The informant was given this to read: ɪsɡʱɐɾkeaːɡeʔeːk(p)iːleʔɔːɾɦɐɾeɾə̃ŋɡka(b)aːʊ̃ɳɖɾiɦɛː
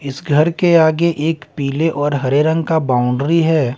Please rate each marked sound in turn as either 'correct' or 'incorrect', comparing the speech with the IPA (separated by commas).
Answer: correct, correct